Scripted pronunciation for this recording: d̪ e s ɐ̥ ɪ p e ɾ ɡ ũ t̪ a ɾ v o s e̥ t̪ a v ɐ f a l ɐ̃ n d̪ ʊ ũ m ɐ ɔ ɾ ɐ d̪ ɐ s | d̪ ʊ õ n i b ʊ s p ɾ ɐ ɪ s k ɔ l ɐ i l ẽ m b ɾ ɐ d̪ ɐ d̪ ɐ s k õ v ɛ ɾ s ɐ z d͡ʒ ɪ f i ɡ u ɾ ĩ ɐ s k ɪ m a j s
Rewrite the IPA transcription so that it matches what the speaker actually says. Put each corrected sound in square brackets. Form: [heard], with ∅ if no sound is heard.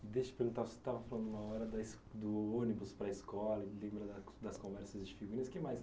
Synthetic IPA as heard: d̪ e [ʃ] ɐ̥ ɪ p e ɾ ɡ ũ t̪ a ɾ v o s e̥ t̪ a v ɐ f a l ɐ̃ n d̪ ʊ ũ m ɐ ɔ ɾ ɐ d̪ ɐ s | d̪ ʊ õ n i b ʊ s p ɾ ɐ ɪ s k ɔ l ɐ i l ẽ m b ɾ ɐ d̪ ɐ d̪ ɐ s k õ v ɛ ɾ s ɐ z d͡ʒ ɪ f i ɡ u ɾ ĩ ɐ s k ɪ m a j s